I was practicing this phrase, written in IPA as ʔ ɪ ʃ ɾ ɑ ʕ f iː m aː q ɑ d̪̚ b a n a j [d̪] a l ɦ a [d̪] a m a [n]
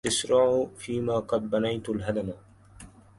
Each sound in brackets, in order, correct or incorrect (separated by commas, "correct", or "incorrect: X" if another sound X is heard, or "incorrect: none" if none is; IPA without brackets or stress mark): incorrect: t̪, correct, incorrect: none